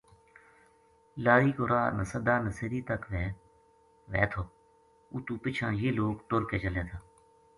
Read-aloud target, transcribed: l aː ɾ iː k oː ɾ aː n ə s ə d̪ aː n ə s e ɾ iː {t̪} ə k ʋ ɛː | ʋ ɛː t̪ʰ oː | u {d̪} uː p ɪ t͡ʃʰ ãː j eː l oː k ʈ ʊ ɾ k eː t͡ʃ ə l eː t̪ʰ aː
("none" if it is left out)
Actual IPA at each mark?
t̪, t̪

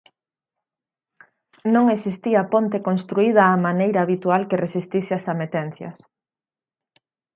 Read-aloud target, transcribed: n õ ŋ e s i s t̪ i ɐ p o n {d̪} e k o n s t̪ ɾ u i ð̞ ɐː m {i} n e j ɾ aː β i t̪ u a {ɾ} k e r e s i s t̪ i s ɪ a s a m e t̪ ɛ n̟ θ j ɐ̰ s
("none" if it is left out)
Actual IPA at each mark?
t̪, a, l

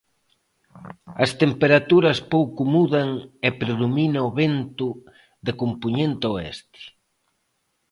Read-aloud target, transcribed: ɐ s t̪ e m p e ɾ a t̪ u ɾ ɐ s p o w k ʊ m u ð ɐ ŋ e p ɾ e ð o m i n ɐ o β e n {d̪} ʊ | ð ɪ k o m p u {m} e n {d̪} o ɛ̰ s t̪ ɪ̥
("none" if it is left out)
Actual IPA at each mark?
t̪, ɲ, t̪

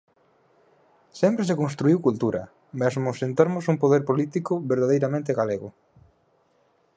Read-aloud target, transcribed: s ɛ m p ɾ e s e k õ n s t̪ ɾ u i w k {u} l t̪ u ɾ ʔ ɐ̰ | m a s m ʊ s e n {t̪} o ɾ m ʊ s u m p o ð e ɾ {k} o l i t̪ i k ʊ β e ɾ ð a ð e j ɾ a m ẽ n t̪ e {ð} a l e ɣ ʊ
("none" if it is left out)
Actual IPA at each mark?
u, t̪, p, ɣ

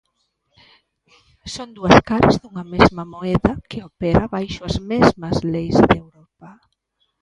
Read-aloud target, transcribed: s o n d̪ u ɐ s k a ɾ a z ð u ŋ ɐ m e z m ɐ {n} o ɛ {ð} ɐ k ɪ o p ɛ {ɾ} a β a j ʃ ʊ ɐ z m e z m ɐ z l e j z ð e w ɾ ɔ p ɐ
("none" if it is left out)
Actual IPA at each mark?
m, ð, ɾ

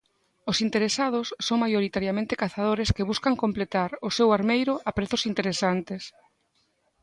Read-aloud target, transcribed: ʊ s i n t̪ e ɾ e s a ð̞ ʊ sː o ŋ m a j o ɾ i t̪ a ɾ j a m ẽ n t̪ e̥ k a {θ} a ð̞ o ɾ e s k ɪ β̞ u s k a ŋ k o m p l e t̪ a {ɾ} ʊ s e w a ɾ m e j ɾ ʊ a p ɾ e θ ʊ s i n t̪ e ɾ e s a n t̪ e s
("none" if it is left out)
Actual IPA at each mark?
θ, ɾ

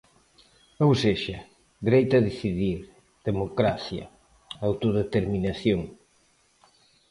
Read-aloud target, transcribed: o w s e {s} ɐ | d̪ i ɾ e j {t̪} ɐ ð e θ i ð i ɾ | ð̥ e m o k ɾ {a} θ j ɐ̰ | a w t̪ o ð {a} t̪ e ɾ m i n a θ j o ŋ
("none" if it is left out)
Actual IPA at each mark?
ʃ, t̪, a, e

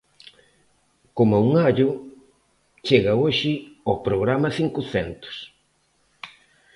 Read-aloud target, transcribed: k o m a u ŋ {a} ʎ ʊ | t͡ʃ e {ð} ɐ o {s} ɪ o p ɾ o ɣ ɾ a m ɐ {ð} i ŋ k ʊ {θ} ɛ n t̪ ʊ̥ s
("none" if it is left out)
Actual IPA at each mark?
a, ɣ, ʃ, θ, θ

